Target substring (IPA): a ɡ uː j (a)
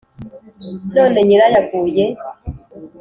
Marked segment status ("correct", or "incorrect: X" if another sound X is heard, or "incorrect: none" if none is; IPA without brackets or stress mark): incorrect: e